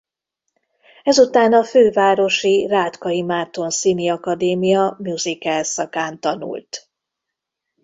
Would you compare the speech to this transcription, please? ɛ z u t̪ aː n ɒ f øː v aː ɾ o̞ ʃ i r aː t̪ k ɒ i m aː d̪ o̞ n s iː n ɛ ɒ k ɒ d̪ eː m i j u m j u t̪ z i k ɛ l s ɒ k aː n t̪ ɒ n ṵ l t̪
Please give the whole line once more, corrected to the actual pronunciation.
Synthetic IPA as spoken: ɛ z u t̪ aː n ɒ f øː v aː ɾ o̞ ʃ i r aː t̪ k ɒ i m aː t̪ o̞ n s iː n i ɒ k ɒ d̪ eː m i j ɒ m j u z i k ɛ l s ɒ k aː n t̪ ɒ n ṵ l t̪